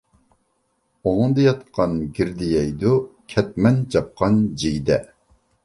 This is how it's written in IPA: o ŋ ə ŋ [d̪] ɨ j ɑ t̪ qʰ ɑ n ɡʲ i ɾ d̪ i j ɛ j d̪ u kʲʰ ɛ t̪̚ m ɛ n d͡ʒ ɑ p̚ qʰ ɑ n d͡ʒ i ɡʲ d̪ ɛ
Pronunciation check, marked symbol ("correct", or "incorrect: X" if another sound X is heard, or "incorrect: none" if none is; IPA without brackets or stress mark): correct